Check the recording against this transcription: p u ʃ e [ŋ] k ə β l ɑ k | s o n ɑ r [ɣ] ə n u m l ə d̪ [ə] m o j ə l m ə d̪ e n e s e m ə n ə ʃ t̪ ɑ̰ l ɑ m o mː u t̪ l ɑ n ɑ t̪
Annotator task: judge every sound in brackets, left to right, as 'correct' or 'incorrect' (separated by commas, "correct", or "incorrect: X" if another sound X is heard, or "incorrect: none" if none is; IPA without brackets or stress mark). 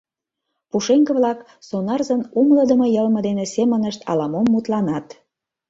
correct, incorrect: z, correct